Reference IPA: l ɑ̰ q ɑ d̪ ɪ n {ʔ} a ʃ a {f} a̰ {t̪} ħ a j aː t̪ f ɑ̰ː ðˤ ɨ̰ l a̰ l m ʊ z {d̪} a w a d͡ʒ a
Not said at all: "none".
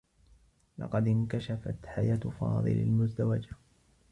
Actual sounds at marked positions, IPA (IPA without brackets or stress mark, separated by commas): k, f, t̪, d̪